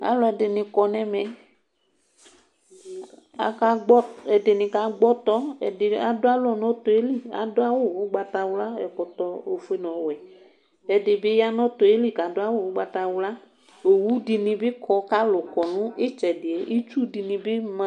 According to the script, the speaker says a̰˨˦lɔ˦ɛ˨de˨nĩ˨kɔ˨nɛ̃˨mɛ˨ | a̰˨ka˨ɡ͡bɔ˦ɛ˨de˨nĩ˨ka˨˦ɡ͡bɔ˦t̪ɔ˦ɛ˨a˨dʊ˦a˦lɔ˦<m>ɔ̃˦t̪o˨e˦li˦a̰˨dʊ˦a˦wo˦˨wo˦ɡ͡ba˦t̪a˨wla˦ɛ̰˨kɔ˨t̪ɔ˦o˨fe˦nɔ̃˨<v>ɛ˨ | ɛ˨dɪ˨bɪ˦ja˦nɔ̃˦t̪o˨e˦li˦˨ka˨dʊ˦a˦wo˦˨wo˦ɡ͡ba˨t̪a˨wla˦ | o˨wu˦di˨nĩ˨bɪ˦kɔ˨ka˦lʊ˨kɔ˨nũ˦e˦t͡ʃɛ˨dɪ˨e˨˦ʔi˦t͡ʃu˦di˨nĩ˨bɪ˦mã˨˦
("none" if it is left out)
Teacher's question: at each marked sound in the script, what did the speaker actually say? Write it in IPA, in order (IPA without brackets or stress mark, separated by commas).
n, w